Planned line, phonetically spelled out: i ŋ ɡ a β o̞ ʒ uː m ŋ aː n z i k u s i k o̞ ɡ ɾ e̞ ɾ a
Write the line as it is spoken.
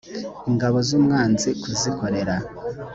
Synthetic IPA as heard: i ŋ ɡ a β o̞ z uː m ŋ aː n z i k u z i k o̞ ɾ e̞ ɾ a